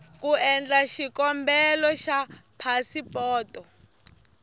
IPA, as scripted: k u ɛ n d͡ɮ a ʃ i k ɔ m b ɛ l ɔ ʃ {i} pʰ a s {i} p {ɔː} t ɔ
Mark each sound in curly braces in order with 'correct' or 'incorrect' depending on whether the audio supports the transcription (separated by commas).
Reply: incorrect, correct, correct